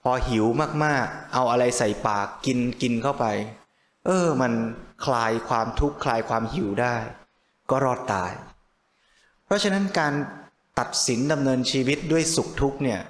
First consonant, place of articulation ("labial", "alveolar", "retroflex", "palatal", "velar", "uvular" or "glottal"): labial